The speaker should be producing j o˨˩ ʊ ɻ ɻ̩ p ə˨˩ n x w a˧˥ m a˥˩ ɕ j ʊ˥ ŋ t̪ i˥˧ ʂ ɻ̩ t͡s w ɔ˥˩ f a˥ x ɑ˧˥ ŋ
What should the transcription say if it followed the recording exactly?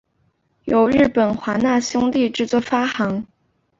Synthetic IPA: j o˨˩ ʊ ɻ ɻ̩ p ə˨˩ n x w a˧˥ n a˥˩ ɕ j ʊ˥ ŋ t̪ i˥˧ ʈ͡ʂ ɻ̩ t͡s w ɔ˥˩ f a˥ x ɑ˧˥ ŋ

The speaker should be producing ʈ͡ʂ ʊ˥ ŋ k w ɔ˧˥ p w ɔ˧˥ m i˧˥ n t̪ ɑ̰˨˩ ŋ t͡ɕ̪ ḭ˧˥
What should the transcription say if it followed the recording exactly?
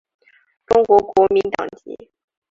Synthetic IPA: ʈ͡ʂ ʊ˥ ŋ k w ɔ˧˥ k w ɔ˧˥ m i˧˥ n t̪ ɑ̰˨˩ ŋ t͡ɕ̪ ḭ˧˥

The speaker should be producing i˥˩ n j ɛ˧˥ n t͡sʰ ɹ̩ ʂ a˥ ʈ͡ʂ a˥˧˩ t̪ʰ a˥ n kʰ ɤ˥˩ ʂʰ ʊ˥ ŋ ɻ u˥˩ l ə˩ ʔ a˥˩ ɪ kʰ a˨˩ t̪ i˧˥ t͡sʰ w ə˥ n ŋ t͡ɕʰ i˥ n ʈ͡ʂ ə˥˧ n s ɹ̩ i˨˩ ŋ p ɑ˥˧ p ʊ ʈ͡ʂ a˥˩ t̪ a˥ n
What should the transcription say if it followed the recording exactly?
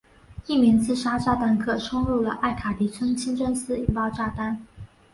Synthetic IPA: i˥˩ m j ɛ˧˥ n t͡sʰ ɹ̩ ʂ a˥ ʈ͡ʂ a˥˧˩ t̪ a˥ n kʰ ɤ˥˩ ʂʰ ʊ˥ ŋ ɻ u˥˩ l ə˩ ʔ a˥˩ ɪ kʰ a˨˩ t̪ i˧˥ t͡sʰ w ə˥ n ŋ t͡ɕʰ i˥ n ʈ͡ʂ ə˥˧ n s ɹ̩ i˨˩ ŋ p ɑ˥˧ ʊ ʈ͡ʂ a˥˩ t̪ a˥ n

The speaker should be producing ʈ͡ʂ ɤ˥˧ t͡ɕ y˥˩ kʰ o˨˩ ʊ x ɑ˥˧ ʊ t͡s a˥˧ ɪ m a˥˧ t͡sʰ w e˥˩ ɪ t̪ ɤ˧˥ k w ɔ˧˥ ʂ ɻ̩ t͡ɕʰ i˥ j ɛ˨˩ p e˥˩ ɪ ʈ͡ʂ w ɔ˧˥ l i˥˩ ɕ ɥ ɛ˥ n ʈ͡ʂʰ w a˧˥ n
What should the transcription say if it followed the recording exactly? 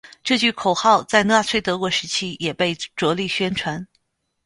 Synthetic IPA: ʈ͡ʂ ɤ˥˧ t͡ɕ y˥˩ kʰ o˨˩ ʊ x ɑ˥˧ ʊ t͡s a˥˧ ɪ n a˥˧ t͡sʰ w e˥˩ ɪ t̪ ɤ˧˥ k w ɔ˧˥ ʂ ɻ̩ t͡ɕʰ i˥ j ɛ˨˩ p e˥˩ ɪ ʈ͡ʂ w ɔ˧˥ l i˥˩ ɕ ɥ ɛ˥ n ʈ͡ʂʰ w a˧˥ n

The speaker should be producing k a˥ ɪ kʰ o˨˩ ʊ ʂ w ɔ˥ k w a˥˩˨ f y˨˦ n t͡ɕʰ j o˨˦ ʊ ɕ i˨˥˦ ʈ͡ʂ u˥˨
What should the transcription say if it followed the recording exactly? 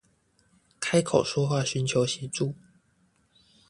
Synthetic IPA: kʰ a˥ ɪ kʰ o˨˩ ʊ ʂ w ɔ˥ x w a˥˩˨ ɕ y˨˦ n t͡ɕʰ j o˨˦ ʊ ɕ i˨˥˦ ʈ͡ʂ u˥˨

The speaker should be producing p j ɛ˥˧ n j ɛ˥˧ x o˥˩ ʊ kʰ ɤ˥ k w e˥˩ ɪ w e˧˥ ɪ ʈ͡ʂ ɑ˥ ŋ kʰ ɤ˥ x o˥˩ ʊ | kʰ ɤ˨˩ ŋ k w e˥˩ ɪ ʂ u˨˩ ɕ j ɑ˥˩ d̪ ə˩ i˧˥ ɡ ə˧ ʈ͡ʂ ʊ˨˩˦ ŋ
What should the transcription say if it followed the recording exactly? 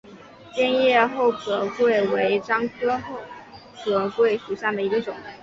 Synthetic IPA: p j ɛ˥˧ n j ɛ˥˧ x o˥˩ ʊ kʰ ɤ˨˩ k w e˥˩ ɪ w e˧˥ ɪ ʈ͡ʂ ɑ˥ ŋ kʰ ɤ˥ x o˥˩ ʊ | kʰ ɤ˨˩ k w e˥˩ ɪ ʂ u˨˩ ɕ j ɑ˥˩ d̪ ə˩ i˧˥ ɡ ə˧ ʈ͡ʂ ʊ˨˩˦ ŋ

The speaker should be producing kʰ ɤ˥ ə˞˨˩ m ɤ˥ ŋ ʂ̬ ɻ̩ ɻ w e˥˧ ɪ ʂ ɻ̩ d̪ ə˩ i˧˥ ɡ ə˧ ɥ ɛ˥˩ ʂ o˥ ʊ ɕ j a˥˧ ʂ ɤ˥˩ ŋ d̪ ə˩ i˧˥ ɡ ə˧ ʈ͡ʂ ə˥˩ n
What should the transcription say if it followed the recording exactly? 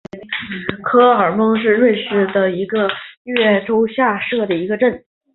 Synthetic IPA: kʰ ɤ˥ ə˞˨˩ m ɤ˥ ŋ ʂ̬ ɻ̩ ɻ w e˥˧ ɪ ʂ ɻ̩ d̪ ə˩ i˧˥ ɡ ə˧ ɥ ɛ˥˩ ʈ͡ʂ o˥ ʊ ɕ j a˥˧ ʂ ɤ˥˩ d̪ ə˩ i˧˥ ɡ ə˧ ʈ͡ʂ ə˥˩ n

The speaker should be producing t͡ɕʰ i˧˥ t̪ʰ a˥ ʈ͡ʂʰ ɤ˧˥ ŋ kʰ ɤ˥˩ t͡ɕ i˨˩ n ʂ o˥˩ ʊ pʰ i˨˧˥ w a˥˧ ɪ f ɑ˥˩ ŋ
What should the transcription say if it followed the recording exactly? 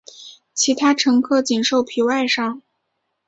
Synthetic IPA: t͡ɕʰ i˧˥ t̪ʰ a˥ ʈ͡ʂʰ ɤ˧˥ ŋ kʰ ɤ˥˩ t͡ɕ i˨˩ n ʂ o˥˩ ʊ pʰ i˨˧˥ w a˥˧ ɪ ʂ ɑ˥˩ ŋ

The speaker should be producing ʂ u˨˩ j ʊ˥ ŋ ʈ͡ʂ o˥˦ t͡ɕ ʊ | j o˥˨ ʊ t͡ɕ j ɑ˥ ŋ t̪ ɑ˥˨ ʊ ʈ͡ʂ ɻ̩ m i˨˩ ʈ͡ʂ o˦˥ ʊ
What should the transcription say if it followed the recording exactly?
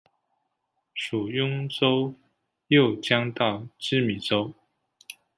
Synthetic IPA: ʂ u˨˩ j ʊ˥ ŋ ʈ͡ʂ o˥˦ ʊ | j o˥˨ ʊ t͡ɕ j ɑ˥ ŋ t̪ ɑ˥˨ ʊ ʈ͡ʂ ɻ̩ m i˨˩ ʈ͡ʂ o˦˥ ʊ

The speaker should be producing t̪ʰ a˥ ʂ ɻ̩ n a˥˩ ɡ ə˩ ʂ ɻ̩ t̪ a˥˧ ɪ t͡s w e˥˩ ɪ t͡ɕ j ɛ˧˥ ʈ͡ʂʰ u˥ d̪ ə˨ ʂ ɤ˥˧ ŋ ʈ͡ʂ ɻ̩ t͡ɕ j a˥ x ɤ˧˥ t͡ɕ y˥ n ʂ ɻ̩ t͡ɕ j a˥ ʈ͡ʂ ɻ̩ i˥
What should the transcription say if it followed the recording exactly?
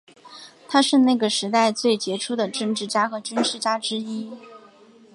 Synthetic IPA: t̪ʰ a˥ ʂ ɻ̩ n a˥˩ ɡ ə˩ ʂ ɻ̩ t̪ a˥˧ ɪ t͡s w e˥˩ ɪ t͡ɕ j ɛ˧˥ ʈ͡ʂʰ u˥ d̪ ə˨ ʈ͡ʂ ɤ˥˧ ŋ ʈ͡ʂ ɻ̩ t͡ɕ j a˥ x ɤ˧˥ t͡ɕ y˥ n ʂ ɻ̩ t͡ɕ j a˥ ʈ͡ʂ ɻ̩ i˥

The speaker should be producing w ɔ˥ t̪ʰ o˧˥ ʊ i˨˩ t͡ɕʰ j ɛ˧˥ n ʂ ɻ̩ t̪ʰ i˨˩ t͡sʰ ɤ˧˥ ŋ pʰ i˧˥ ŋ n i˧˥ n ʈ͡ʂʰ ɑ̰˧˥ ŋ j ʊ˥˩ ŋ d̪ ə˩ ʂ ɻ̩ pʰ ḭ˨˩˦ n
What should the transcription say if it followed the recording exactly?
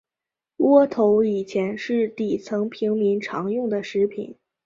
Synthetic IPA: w ɔ˥ t̪ʰ o˧˥ ʊ i˨˩ t͡ɕʰ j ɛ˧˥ n ʂ ɻ̩ t̪ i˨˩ t͡sʰ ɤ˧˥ ŋ pʰ i˧˥ ŋ m i˧˥ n ʈ͡ʂʰ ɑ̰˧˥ ŋ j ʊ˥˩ ŋ d̪ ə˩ ʂ ɻ̩ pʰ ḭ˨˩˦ n

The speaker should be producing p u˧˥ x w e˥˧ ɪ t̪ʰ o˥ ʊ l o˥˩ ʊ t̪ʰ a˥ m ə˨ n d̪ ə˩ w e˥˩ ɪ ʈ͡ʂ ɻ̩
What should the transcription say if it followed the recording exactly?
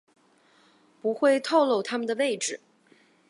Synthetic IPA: p u˧˥ x w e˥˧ ɪ t̪ʰ o˥˧ ʊ l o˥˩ ʊ t̪ʰ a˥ m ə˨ n d̪ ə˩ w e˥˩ ɪ ʈ͡ʂ ɻ̩

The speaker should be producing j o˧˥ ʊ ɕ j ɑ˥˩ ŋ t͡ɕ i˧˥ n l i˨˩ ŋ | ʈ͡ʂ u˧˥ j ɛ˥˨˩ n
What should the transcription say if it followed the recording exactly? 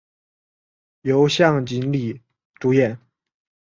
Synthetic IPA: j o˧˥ ʊ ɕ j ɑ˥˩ ŋ t͡ɕ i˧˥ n l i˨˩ | ʈ͡ʂ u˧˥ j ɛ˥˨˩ n

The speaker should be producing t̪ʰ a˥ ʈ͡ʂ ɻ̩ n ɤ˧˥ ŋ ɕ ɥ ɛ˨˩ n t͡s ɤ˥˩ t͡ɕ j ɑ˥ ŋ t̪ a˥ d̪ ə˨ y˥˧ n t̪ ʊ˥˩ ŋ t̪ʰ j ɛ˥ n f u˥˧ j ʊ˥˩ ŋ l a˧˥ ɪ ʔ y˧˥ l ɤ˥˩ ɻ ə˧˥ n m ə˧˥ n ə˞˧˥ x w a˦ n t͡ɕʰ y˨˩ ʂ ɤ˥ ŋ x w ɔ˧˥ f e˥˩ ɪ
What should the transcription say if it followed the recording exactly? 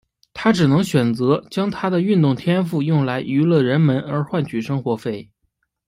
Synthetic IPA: t̪ʰ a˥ ʈ͡ʂ ɻ̩ n ɤ˧˥ ŋ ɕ ɥ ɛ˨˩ n t͡s ɤ˧˥ t͡ɕ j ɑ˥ ŋ t̪ʰ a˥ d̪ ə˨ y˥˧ n t̪ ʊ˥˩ ŋ t̪ʰ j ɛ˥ n f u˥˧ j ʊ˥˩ ŋ l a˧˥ ɪ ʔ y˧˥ l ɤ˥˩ ɻ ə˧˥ n m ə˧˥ n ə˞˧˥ x w a˥˩ n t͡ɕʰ y˨˩ ʂ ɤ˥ ŋ x w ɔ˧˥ f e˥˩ ɪ

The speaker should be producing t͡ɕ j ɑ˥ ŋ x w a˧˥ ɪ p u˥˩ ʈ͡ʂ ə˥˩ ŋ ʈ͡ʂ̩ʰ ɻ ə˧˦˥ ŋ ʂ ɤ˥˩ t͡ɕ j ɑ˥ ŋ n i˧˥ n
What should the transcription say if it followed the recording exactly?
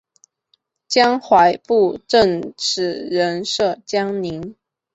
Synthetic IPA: t͡ɕ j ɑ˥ ŋ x w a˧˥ ɪ p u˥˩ ʈ͡ʂ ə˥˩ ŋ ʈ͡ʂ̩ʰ ɻ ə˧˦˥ n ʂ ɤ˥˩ t͡ɕ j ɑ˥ ŋ n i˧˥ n

